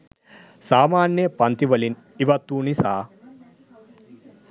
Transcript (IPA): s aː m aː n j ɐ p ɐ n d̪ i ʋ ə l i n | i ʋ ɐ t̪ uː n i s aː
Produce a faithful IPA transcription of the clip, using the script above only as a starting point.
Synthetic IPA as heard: s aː m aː n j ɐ p ɐ n t̪ i ʋ ɐ l i n | i ʋ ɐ t̪ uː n i s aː